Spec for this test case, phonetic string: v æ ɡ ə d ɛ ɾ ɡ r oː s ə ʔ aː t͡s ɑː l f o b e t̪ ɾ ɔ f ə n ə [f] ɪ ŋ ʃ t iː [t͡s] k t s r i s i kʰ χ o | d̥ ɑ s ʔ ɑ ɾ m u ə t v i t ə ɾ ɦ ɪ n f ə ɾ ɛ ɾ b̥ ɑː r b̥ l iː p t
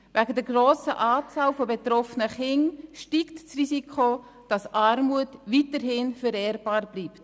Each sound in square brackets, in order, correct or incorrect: incorrect: χ, incorrect: none

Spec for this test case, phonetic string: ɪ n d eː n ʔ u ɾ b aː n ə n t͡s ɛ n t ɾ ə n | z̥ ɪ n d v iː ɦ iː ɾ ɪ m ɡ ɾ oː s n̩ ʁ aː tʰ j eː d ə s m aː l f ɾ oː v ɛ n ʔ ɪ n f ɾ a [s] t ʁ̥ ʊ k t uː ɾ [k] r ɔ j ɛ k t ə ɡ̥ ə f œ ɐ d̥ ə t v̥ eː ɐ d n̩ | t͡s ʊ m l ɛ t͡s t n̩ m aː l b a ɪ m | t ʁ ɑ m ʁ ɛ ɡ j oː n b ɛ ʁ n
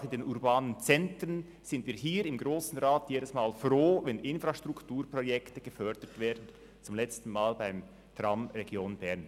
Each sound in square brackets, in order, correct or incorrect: incorrect: ʃ, incorrect: p

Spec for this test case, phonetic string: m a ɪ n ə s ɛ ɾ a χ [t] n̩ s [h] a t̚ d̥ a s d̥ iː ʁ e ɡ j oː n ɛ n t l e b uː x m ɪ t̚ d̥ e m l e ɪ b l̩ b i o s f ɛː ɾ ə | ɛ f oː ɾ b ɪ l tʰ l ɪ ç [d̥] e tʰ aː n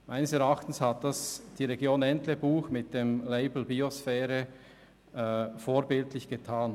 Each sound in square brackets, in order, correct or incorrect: correct, correct, incorrect: ɡ̥

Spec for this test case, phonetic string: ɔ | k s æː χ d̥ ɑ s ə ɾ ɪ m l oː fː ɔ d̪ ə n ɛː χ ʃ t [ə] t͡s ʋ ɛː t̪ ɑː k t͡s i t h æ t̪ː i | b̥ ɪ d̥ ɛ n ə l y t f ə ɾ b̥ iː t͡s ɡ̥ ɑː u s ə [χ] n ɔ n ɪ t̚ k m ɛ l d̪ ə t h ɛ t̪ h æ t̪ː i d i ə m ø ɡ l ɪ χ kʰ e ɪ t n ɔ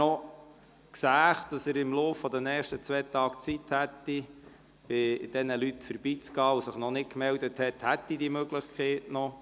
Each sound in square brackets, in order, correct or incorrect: correct, correct

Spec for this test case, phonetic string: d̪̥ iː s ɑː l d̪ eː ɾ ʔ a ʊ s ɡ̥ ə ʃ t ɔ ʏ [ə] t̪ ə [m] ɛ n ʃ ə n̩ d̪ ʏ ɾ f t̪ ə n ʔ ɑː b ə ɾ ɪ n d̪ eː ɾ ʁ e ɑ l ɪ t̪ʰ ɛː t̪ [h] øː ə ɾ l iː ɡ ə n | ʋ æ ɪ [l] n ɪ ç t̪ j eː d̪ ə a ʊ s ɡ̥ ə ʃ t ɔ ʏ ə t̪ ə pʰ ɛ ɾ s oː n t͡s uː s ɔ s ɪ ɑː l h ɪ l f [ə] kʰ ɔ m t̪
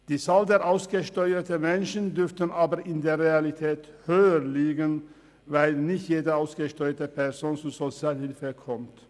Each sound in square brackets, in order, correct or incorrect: correct, correct, correct, correct, correct

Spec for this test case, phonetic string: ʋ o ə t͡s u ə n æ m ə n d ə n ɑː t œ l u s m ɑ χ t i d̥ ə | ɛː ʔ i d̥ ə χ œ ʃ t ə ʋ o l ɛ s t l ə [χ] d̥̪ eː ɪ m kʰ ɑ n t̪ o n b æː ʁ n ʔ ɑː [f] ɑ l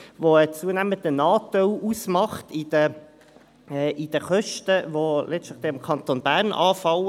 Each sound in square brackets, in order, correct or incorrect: correct, correct

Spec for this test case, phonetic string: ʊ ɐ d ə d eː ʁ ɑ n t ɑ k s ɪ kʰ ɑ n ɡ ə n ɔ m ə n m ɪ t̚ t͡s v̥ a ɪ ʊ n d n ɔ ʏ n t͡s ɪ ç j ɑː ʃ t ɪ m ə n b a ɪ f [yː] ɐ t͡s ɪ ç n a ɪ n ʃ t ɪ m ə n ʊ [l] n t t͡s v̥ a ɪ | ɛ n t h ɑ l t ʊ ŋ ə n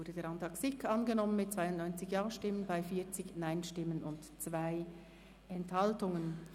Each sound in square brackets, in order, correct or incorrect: incorrect: iː, incorrect: none

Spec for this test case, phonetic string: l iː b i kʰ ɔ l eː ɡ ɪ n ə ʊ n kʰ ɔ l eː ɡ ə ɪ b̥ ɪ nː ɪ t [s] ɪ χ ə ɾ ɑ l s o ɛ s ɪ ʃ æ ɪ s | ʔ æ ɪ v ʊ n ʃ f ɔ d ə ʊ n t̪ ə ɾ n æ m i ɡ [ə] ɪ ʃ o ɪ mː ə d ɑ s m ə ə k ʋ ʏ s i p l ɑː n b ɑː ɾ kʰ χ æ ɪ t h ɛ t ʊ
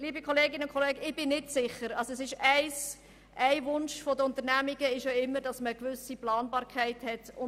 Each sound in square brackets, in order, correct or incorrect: correct, correct

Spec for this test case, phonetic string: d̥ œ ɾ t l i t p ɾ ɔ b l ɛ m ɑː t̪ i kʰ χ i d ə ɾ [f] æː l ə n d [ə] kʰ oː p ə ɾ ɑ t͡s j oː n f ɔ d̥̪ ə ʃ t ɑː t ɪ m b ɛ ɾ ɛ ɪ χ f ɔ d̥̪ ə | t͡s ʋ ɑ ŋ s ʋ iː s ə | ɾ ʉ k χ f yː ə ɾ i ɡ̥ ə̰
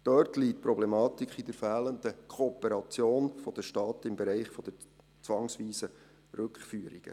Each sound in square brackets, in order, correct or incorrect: correct, correct

